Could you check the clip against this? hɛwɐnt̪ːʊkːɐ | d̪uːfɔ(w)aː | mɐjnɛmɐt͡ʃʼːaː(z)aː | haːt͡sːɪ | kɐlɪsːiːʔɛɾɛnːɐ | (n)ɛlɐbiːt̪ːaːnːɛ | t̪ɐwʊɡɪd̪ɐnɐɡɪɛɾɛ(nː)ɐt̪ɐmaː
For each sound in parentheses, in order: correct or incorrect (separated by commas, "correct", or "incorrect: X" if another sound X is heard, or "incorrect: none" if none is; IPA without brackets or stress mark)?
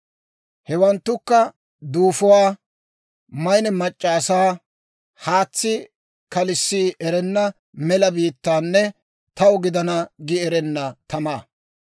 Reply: correct, incorrect: s, incorrect: m, correct